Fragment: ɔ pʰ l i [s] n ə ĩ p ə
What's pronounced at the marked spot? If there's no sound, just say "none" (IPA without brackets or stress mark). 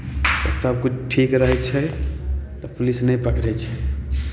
s